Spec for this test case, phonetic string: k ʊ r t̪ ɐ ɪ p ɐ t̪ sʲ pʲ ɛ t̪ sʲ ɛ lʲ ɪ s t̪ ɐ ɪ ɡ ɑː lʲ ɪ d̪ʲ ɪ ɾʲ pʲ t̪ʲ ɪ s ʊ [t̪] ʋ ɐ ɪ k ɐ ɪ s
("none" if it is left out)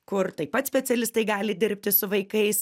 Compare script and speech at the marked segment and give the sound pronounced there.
none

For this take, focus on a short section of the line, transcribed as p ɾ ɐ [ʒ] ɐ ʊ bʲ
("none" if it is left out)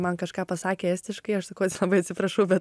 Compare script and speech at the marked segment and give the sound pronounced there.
ʃ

